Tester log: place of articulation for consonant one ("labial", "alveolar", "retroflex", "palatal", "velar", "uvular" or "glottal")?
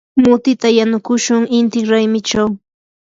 labial